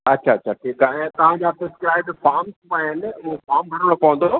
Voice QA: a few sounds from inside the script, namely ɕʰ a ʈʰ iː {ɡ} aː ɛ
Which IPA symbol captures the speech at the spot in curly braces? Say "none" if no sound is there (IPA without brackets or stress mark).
k